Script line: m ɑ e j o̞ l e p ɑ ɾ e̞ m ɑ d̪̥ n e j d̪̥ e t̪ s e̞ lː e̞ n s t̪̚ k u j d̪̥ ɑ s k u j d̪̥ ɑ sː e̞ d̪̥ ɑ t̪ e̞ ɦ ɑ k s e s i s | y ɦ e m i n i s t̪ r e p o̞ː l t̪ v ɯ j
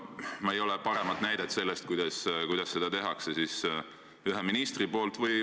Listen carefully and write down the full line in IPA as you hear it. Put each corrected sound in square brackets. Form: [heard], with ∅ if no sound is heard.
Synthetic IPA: m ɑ e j o̞ l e p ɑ ɾ e̞ m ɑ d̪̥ n [æ] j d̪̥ e t̪ s e̞ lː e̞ [∅] s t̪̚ k u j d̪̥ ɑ s k u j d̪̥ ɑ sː e̞ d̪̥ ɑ t̪ e̞ ɦ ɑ k s e s i s | y ɦ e m i n i s t̪ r [i] p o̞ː l t̪ v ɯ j

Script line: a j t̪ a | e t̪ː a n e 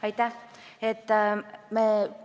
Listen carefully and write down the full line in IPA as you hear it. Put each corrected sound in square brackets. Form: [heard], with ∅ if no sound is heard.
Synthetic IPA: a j t̪ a | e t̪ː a [m] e

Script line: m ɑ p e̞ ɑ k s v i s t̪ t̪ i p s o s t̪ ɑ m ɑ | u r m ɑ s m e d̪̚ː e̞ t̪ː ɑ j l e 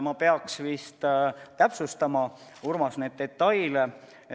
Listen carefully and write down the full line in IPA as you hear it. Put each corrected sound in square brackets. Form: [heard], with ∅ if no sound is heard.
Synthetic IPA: m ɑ p e̞ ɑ k s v i s t̪ t̪ [æ] p s [u] s t̪ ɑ m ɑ | u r m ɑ s [n] e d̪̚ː e̞ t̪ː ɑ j l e

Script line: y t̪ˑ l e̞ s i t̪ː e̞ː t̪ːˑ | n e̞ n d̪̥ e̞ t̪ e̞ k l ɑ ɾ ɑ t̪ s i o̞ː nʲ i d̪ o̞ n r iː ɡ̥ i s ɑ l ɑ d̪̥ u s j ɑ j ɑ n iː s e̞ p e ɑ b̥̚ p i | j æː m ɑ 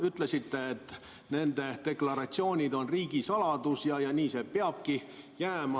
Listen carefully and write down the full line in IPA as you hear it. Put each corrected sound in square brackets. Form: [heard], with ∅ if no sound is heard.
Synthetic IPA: y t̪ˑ l e̞ s i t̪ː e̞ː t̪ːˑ | n e̞ n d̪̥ e̞ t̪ e̞ k l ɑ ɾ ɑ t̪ s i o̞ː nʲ i d̪ o̞ n r iː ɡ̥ i s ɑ l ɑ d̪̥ u s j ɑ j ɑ n iː s e̞ p e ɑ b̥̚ [k] i | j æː m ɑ

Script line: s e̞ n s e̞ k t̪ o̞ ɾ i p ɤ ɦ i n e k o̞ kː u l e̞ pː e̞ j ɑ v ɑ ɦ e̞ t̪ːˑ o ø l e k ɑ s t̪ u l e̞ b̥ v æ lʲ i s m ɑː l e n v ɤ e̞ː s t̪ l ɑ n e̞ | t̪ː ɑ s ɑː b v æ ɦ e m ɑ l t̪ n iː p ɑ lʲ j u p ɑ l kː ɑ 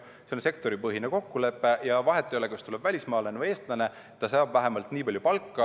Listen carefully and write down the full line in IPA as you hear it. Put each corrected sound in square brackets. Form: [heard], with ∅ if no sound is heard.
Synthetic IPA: s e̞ n s e̞ k t̪ o̞ ɾ i p ɤ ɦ i n e k o̞ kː u l e̞ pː e̞ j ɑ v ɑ ɦ e̞ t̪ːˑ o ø l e k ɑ s t̪ u l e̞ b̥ v æ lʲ i s m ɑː l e n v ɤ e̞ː s t̪ l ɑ n e̞ | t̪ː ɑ s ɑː b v æ ɦ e m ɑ l t̪ n iː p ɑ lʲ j u p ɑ l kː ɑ

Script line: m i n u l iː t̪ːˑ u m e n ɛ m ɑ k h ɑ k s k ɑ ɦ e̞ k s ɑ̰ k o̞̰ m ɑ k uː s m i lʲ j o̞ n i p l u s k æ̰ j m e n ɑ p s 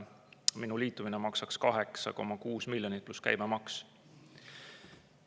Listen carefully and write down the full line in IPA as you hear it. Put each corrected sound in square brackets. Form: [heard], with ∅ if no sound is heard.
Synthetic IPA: m i n u l iː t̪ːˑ u m [i] n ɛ m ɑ k [s] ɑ k s k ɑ ɦ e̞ k s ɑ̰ k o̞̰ m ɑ k uː s m i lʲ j o̞ n i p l u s k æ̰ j m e [m] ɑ [k] s

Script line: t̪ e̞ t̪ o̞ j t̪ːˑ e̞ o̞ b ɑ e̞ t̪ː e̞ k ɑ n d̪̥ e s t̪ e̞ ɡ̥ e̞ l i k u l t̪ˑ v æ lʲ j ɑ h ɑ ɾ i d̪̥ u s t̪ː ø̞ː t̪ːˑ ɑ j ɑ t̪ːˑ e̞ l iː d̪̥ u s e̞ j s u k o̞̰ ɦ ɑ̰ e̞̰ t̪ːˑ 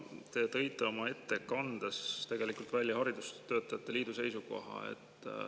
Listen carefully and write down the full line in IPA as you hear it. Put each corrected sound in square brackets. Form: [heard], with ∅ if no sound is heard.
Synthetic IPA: t̪ e̞ t̪ [ɤ̞] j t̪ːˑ e̞ o̞ [m] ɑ e̞ t̪ː e̞ k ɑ n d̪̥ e s t̪ e̞ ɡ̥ e̞ l i k u l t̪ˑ v æ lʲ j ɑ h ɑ ɾ i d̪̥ u s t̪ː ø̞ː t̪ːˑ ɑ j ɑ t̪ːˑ e̞ l iː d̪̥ u s e̞ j s u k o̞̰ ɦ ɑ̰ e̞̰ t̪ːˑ

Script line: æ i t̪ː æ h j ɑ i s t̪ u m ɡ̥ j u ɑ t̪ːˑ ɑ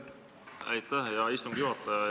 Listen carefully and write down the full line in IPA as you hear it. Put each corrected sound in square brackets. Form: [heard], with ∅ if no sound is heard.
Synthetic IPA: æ [j] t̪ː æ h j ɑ i s t̪ u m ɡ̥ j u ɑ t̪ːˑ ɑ

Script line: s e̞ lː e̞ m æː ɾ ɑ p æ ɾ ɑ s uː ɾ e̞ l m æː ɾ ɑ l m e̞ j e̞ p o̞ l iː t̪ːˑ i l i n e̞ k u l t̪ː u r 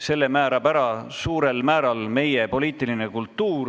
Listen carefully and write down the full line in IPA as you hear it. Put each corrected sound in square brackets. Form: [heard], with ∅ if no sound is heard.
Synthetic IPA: s e̞ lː e̞ m æː ɾ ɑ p æ ɾ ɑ s uː ɾ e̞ l m æː ɾ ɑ l m e̞ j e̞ p o̞ l iː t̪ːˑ i l i n e̞ k u l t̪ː [uː] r

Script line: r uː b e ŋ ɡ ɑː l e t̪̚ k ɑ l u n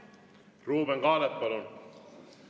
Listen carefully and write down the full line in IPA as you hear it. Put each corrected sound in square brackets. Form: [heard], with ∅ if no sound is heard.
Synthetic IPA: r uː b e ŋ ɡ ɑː l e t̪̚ [p] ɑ l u n

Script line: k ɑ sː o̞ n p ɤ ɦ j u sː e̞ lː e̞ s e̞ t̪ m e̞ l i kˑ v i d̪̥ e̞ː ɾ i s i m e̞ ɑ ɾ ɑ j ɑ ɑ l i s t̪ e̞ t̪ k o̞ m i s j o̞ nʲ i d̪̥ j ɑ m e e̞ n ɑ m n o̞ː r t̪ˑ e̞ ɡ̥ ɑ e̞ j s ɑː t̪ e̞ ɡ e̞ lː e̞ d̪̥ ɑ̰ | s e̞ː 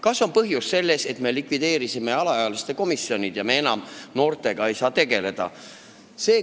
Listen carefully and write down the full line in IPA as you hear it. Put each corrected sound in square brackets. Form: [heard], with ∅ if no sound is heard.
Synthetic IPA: k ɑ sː o̞ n p ɤ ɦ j u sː e̞ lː e̞ s e̞ t̪ m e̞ l i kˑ v i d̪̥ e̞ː ɾ i s i m e̞ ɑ [l] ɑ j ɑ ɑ l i s t̪ e̞ [∅] k o̞ m i s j o̞ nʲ i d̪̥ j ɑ m e e̞ n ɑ m n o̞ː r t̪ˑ e̞ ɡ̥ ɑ e̞ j s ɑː t̪ e̞ ɡ e̞ [l] e̞ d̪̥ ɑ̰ | s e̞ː

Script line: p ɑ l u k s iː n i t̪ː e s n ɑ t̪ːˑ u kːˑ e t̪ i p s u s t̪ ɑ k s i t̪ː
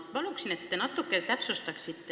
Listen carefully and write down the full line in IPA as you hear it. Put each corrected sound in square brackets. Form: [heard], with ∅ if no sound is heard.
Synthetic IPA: p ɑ l u k s [i] n [e] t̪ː e [∅] n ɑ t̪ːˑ u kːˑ e t̪ [æ] p s u s t̪ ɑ k s i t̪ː

